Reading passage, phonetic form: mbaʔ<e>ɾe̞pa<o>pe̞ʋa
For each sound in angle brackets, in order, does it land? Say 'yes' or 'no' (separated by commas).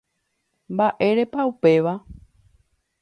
yes, no